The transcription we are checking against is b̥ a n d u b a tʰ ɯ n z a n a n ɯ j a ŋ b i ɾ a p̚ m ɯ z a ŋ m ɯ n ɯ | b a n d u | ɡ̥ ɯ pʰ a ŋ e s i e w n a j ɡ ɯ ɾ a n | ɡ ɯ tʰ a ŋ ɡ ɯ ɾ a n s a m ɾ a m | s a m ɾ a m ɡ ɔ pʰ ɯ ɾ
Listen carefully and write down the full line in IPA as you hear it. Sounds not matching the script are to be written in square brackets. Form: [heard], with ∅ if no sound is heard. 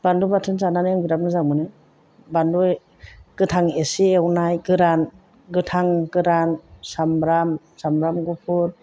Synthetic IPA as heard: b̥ a n d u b a tʰ ɯ n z a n a n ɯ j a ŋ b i ɾ a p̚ [n] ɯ z a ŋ m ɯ n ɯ | b a n d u | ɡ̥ ɯ [tʰ] a ŋ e s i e w n a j ɡ ɯ ɾ a n | ɡ ɯ tʰ a ŋ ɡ ɯ ɾ a n s a m ɾ a m | s a m ɾ a m ɡ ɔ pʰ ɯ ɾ